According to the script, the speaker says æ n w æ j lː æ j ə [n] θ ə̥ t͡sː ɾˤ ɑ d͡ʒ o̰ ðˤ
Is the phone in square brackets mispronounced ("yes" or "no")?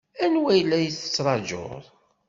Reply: yes